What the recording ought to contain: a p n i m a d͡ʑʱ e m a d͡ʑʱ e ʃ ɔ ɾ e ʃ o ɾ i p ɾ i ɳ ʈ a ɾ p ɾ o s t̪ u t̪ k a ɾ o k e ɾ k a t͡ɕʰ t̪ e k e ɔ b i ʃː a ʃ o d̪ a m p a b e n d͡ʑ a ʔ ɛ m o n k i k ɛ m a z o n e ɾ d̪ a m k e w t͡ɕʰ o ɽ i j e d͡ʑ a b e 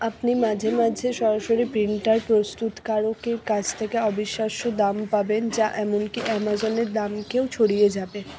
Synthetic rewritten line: a p n i m a d͡ʑʱ e m a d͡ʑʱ e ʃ ɔ ɾ a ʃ o ɾ i p ɾ i ɳ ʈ a ɾ p ɾ o s t̪ u t̪ k a ɾ o k e ɾ k a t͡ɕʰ t̪ʰ e k e ɔ b i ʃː a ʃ o d̪ a m p a b e n d͡ʑ a ʔ ɛ m o n k i ʔ ɛ m a z o n e ɾ d̪ a m k e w t͡ɕʰ o ɽ i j e d͡ʑ a b e

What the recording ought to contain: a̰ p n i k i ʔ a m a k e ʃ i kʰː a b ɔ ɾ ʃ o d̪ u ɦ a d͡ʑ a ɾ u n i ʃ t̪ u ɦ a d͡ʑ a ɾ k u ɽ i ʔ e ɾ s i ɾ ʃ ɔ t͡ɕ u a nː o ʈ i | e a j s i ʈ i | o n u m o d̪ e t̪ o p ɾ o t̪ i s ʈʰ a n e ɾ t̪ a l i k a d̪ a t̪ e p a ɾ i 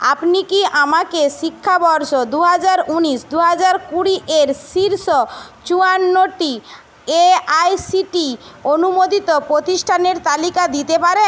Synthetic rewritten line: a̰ p n i k i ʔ a m a k e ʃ i kʰː a b ɔ ɾ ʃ o d̪ u ɦ a d͡ʑ a ɾ u n i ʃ d̪ u ɦ a d͡ʑ a ɾ k u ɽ i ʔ e ɾ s i ɾ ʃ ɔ t͡ɕ u a nː o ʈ i | e a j s i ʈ i | o n u m o d̪ i t̪ o p ɾ o t̪ i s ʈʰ a n e ɾ t̪ a l i k a d̪ i t̪ e p a ɾ e

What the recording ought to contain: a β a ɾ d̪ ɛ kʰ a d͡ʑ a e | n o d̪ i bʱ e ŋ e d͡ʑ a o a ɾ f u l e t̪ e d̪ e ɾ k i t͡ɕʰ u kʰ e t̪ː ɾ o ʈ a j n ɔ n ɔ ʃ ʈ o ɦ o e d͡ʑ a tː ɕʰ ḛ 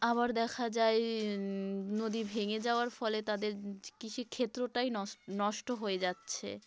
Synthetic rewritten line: a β a ɾ d̪ ɛ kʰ a d͡ʑ a e | n o d̪ i bʱ e ŋ e d͡ʑ a o a ɾ f ɔ l e t̪ a d̪ e ɾ k i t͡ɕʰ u kʰ e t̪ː ɾ o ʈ a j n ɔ n ɔ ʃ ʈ o ɦ o e d͡ʑ a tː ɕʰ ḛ

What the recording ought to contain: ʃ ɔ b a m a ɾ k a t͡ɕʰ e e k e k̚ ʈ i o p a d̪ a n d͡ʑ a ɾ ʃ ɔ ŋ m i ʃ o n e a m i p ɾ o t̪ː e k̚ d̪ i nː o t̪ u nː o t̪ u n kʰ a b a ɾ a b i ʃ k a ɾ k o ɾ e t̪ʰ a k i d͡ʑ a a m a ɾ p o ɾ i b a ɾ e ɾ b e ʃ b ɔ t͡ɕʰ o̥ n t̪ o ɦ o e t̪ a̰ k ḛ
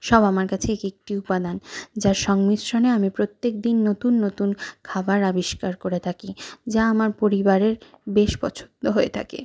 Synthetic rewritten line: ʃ ɔ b a m a ɾ k a t͡ɕʰ e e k e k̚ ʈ i u p a d̪ a n d͡ʑ a ɾ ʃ ɔ ŋ m i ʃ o n e a m i p ɾ o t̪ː e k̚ d̪ i nː o t̪ u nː o t̪ u n kʰ a b a ɾ a b i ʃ k a ɾ k o ɾ e t̪ʰ a k i d͡ʑ a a m a ɾ p o ɾ i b a ɾ e ɾ b e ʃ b ɔ t͡ɕʰ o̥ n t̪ o ɦ o e t̪ʰ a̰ k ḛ

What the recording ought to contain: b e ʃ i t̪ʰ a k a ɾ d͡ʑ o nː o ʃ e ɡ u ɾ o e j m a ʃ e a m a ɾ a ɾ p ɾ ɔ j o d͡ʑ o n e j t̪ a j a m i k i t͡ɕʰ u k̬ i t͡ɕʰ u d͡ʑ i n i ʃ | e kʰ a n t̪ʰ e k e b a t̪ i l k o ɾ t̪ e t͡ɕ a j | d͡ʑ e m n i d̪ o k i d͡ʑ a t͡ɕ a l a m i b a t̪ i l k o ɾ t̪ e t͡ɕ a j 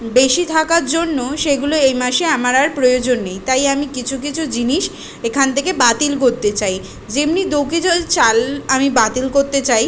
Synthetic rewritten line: b e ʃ i t̪ʰ a k a ɾ d͡ʑ o nː o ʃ e ɡ u l o e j m a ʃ e a m a ɾ a ɾ p ɾ o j o d͡ʑ o nː e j t̪ a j a m i k i t͡ɕʰ u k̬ i t͡ɕʰ u d͡ʑ i n i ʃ | e kʰ a n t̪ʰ e k e b a t̪ i l k o ɾ t̪ e t͡ɕ a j | d͡ʑ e m n i d̪ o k i d͡ʑ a t͡ɕ a l a m i b a t̪ i l k o ɾ t̪ e t͡ɕ a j

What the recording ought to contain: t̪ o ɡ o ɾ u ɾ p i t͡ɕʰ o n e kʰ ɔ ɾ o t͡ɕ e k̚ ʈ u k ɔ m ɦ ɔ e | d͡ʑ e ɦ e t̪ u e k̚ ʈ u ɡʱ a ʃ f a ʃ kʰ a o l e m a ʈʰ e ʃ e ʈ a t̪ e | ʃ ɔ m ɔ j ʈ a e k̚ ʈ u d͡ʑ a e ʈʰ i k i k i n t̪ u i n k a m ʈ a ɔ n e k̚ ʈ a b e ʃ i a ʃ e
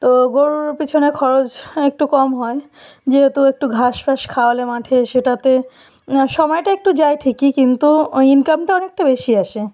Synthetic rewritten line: t̪ o ɡ o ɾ u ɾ p i t͡ɕʰ o n e kʰ ɔ ɾ o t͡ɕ e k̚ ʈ u k ɔ m ɦ ɔ e | d͡ʑ e ɦ e t̪ u e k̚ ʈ u ɡʱ a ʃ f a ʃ kʰ a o l e m a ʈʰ e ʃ e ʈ a t̪ e | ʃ ɔ m ɔ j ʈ a e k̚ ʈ u d͡ʑ a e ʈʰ i k i k i n t̪ u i n k a m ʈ a ɔ n e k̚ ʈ a b e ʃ i a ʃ e

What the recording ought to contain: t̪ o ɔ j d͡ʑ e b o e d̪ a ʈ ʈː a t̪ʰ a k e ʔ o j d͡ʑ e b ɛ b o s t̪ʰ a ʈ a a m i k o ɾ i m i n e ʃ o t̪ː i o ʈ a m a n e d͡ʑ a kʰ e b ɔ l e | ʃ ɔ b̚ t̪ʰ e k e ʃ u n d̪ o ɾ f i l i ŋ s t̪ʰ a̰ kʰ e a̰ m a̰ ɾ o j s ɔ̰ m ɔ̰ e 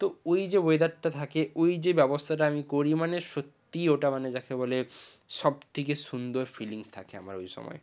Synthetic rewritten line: t̪ o o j d͡ʑ e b o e d̪ a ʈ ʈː a t̪ʰ a k e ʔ o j d͡ʑ e b ɛ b o s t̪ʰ a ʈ a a m i k o ɾ i m a n e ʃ o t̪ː i o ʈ a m a n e d͡ʑ a kʰ e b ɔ l e | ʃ ɔ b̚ t̪ʰ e k e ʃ u n d̪ o ɾ f i l i ŋ s t̪ʰ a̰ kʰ e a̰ m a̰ ɾ o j ʃ ɔ̰ m ɔ̰ e

